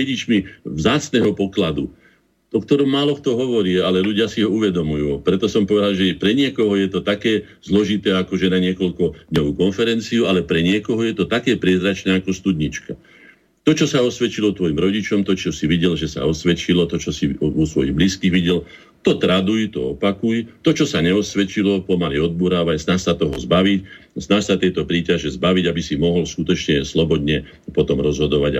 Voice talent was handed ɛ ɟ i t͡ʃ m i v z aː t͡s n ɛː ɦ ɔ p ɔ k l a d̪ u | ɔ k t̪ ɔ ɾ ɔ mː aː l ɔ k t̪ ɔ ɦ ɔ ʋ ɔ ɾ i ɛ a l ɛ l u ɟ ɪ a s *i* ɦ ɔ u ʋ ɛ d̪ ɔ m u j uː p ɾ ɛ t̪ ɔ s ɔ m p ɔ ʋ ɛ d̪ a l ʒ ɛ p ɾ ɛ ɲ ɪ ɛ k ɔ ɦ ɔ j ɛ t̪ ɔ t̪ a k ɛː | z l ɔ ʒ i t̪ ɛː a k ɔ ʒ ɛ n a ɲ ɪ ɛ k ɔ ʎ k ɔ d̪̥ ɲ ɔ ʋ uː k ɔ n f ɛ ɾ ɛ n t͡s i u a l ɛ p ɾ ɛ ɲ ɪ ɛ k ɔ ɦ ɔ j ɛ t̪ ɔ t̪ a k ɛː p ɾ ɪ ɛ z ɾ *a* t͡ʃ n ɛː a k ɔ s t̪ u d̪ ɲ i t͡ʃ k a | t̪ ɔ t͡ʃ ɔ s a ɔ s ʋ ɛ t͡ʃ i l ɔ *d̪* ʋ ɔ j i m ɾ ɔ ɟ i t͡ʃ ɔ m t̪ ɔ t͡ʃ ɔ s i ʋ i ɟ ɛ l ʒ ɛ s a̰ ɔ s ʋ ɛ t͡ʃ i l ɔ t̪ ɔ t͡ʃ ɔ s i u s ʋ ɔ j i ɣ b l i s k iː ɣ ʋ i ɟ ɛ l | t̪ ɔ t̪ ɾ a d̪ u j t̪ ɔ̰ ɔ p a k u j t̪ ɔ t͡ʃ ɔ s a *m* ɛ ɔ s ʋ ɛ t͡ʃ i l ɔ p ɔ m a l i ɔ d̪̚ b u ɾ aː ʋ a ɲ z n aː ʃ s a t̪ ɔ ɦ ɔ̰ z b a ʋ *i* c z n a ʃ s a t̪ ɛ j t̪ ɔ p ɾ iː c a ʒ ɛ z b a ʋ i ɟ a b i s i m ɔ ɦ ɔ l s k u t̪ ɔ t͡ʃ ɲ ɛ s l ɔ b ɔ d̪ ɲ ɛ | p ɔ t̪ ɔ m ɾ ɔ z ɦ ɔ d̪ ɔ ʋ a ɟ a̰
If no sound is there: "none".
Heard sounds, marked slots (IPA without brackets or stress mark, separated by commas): i, a, t̪, ɲ, i